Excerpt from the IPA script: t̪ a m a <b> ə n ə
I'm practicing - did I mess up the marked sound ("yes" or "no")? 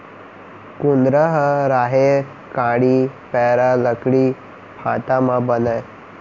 no